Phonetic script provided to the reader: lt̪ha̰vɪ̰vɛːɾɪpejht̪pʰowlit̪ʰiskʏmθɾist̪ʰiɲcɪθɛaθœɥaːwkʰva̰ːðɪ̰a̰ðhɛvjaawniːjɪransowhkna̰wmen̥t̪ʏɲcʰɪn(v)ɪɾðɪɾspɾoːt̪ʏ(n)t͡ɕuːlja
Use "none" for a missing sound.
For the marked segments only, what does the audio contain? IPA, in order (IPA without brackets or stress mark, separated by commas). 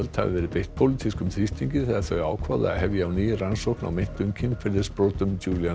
f, m